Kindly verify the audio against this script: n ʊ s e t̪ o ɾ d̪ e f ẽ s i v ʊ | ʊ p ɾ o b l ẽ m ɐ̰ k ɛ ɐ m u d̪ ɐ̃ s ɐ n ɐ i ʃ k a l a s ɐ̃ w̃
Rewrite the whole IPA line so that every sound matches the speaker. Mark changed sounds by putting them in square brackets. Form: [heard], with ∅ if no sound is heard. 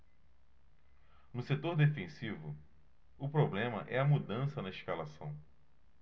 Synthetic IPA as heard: n ʊ s e t̪ o ɾ d̪ e f ẽ s i v ʊ | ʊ p ɾ o b l ẽ m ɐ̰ [ʔ] ɛ ɐ m u d̪ ɐ̃ s ɐ n ɐ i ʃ k a l a s ɐ̃ w̃

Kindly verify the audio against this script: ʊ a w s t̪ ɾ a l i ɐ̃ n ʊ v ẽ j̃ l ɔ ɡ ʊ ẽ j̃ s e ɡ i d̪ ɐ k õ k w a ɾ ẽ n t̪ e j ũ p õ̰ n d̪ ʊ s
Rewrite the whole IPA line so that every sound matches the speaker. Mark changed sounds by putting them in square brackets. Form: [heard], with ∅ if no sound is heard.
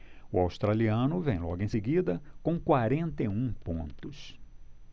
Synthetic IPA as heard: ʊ a w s t̪ ɾ a l i ɐ̃ n ʊ v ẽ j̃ l ɔ ɡ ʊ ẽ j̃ s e ɡ i d̪ ɐ k õ k w a ɾ ẽ n t̪ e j ũ p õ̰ n [t̪] ʊ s

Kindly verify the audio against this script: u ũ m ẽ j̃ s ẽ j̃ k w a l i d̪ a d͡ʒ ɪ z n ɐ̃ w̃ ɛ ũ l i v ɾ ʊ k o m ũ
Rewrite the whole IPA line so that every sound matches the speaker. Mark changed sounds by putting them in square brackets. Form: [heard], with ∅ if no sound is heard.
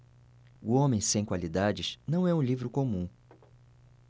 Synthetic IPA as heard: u [õ] m ẽ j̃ s ẽ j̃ k w a l i d̪ a d͡ʒ ɪ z n ɐ̃ w̃ ɛ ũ l i v ɾ ʊ k o m ũ

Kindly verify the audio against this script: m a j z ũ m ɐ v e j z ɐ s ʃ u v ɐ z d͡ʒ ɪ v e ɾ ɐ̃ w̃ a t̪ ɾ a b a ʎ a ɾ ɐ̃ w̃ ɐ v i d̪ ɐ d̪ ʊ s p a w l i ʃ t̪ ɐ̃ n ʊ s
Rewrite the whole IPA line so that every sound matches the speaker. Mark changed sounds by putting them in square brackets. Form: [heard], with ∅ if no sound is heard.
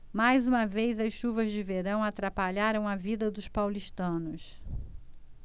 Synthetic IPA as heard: m a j z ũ m ɐ v e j z ɐ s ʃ u v ɐ z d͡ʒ ɪ v e ɾ ɐ̃ w̃ a t̪ ɾ a [p] a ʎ a ɾ ɐ̃ w̃ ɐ v i d̪ ɐ d̪ ʊ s p a w l i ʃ t̪ ɐ̃ n ʊ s

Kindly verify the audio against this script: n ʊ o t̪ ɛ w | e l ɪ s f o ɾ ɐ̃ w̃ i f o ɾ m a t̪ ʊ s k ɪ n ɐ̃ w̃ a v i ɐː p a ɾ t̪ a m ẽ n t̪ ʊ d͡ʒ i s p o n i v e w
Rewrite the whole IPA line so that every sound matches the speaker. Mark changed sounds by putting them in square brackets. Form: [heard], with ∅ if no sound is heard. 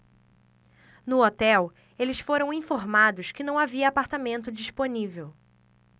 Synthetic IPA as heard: n ʊ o t̪ ɛ w | e l ɪ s f o ɾ ɐ̃ w̃ [ĩ] f o ɾ m a [d̪] ʊ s k ɪ n ɐ̃ w̃ a v i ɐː p a ɾ t̪ a m ẽ n t̪ ʊ d͡ʒ i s p o n i v e w

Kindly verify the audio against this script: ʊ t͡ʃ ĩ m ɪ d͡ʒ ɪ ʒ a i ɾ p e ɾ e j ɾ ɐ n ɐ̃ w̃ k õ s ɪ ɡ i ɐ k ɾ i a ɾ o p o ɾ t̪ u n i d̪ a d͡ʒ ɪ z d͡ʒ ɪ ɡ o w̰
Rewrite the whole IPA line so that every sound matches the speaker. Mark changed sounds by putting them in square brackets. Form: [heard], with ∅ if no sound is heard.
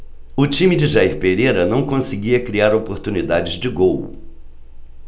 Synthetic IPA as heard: ʊ t͡ʃ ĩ m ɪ d͡ʒ ɪ ʒ a i ɾ p e ɾ e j ɾ ɐ n ɐ̃ w̃ k õ s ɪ ɡ i ɐ k ɾ i a ɾ o p o ɾ t̪ u n i d̪ a d͡ʒ ɪ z d͡ʒ ɪ ɡ o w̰

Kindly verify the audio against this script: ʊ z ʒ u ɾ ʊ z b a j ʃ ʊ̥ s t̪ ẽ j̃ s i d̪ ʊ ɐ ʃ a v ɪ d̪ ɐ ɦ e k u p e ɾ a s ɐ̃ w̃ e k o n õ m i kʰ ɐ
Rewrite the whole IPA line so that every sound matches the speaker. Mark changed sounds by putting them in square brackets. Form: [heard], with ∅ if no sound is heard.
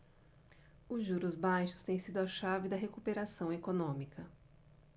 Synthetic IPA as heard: ʊ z ʒ u ɾ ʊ z b a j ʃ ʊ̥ s t̪ ẽ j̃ s i d̪ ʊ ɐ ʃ a v ɪ d̪ ɐ ɦ e k u p e ɾ a s ɐ̃ w̃ e k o n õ m i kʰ ɐ

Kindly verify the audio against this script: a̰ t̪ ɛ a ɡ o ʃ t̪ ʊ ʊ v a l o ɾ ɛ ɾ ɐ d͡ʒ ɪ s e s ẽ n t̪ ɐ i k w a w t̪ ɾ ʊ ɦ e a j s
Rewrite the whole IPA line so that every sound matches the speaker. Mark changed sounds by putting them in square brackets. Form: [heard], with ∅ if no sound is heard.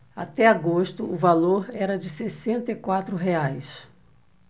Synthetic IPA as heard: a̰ t̪ ɛ a ɡ o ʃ t̪ ʊ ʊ v a l o ɾ ɛ ɾ ɐ d͡ʒ ɪ s e s ẽ n t̪ ɐ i k w a [∅] t̪ ɾ ʊ ɦ e a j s

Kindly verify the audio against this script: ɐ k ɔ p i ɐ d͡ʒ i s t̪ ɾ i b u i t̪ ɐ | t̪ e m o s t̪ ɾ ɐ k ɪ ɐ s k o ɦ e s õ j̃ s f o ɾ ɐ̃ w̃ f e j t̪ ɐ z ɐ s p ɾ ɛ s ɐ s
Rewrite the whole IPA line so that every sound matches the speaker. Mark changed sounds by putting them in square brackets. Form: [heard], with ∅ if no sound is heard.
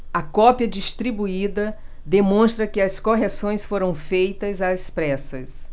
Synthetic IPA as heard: ɐ k ɔ p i ɐ d͡ʒ i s t̪ ɾ i b u i [d̪] ɐ | [d̪] e m [õ] s t̪ ɾ ɐ k ɪ ɐ s k o ɦ e s õ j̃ s f o ɾ ɐ̃ w̃ f e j t̪ ɐ z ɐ s p ɾ ɛ s ɐ s

